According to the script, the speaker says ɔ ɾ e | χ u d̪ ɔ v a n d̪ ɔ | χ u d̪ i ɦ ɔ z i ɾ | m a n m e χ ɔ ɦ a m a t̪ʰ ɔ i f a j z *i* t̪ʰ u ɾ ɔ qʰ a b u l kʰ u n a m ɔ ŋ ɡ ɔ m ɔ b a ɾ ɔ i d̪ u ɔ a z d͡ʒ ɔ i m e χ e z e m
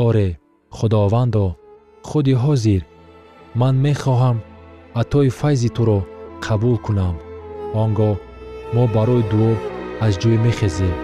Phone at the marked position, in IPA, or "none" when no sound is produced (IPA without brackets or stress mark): i